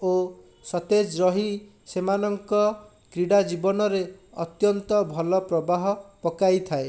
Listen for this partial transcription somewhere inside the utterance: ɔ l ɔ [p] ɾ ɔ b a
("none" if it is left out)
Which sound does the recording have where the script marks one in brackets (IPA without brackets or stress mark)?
p